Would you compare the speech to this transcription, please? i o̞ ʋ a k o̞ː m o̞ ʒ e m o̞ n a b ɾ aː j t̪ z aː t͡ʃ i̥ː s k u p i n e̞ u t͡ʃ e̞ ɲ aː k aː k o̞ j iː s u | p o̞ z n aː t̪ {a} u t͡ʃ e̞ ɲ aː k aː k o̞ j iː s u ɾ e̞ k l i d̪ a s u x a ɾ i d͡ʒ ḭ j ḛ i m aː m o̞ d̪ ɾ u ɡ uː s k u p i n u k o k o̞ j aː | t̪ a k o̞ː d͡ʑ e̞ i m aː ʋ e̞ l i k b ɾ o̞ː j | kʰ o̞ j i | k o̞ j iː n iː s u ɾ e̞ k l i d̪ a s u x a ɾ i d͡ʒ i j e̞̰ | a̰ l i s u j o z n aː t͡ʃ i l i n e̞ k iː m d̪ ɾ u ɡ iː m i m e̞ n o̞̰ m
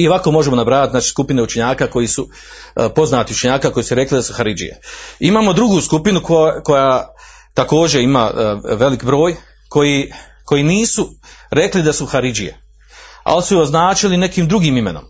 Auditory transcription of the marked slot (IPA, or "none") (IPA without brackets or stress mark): i